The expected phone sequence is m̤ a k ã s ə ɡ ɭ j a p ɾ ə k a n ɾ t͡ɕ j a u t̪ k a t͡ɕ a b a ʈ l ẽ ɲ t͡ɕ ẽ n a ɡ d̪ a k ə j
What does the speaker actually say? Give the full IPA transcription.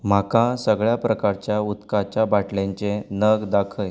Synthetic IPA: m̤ a k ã s ə ɡ ɭ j a p ɾ ə k a ɾ t͡ɕ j a u t̪ k a t͡ɕ a b a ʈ l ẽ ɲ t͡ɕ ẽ n ə ɡ d̪ a kʰ ə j